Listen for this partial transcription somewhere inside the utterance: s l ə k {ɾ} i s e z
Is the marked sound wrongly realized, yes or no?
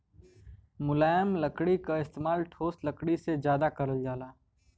yes